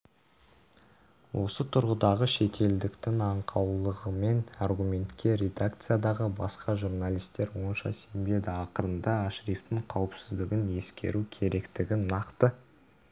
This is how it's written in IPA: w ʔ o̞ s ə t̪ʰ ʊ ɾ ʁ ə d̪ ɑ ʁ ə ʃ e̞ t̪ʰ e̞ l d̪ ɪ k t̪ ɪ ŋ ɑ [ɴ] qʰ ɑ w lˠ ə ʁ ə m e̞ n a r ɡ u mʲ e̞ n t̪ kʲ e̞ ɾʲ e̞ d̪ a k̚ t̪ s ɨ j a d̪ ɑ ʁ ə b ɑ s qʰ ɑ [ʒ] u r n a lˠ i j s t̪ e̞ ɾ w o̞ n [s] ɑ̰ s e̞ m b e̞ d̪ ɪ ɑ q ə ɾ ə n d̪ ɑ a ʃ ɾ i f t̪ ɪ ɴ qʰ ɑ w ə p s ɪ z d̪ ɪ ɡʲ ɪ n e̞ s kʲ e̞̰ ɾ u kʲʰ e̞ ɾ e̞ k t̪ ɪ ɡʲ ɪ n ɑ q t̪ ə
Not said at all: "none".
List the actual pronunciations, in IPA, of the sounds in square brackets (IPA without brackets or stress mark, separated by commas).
ɴ, ʒ, ʃ